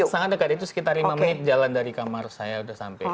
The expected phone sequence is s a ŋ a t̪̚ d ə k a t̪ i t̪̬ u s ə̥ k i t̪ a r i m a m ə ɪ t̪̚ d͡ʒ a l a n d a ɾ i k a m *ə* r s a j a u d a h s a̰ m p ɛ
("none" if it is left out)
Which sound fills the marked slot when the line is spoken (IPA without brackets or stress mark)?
a